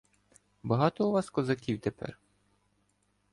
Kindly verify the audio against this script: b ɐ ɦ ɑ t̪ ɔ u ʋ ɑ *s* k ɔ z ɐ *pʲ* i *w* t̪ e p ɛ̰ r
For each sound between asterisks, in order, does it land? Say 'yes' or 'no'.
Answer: yes, no, yes

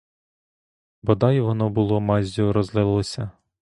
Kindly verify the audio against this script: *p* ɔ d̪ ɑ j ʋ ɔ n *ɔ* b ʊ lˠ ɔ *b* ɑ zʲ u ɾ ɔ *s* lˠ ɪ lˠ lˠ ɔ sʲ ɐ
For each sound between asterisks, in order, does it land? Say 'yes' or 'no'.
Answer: no, yes, no, no

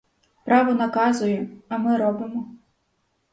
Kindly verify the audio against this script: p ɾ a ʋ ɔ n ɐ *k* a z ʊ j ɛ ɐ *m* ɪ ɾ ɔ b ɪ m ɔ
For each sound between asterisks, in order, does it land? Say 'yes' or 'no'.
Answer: yes, yes

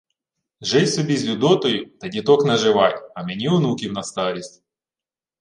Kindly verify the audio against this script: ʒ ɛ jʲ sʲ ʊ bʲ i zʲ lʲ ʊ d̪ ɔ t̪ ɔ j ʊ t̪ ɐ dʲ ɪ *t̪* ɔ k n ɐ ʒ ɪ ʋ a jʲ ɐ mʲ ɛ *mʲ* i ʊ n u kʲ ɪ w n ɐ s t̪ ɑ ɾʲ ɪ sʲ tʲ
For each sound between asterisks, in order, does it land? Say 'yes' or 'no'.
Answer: yes, no

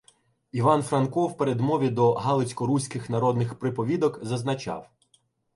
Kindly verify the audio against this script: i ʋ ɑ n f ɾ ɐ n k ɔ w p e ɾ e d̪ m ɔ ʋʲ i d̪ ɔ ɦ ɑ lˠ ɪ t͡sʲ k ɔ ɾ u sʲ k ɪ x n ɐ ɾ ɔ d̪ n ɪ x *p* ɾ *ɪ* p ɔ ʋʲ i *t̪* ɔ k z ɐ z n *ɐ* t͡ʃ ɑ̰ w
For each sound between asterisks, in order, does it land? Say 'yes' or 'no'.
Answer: yes, yes, no, yes

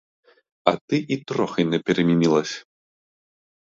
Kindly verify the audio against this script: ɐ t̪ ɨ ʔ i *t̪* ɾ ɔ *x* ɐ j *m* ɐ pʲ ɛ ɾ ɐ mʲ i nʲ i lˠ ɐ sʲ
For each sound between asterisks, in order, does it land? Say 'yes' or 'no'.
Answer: yes, yes, no

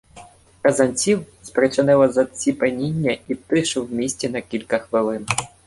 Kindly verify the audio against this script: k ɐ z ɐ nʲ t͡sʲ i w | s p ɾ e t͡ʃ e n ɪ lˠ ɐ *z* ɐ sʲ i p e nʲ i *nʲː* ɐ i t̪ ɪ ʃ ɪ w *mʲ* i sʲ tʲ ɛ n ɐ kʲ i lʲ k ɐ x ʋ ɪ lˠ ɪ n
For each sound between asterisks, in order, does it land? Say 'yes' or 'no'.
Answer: yes, yes, yes

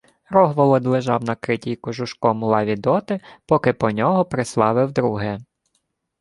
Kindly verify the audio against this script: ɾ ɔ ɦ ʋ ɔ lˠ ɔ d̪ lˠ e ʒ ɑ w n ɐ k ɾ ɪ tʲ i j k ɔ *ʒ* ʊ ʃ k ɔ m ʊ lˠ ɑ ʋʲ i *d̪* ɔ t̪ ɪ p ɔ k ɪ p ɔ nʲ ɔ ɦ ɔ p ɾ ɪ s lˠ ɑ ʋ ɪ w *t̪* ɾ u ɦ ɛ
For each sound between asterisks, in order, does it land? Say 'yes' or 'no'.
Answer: yes, yes, no

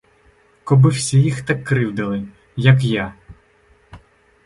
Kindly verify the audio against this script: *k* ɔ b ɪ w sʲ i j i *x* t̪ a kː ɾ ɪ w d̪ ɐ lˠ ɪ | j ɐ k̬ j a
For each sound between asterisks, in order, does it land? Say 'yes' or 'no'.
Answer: yes, yes

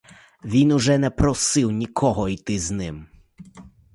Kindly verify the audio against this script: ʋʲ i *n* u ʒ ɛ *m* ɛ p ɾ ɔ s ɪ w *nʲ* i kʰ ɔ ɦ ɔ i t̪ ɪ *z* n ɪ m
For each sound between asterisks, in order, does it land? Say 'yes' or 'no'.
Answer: yes, no, yes, yes

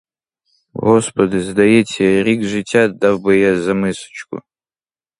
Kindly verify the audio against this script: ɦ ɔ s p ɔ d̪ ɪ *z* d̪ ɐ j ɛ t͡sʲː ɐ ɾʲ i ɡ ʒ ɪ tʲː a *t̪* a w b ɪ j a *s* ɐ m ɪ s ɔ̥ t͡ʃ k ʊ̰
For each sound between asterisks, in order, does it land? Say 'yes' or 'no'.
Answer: yes, no, no

